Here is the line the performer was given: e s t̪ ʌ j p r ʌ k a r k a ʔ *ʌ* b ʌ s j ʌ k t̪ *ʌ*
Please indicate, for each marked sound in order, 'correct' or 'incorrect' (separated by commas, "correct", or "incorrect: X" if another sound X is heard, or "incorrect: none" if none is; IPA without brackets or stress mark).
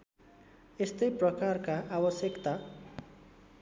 incorrect: a, incorrect: a